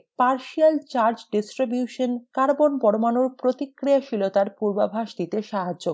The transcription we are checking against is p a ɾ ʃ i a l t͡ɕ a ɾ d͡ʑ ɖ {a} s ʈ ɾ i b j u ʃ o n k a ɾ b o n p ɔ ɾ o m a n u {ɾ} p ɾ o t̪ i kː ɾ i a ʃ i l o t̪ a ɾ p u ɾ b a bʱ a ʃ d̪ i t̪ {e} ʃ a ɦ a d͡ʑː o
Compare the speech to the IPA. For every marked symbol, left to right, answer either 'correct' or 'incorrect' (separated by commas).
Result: incorrect, correct, correct